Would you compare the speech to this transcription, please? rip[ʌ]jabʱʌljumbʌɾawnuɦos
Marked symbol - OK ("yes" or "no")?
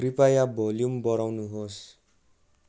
no